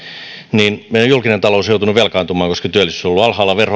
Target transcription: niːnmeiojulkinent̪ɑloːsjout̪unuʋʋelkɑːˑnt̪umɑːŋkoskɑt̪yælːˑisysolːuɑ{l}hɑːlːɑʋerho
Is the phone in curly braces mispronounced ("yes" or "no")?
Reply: no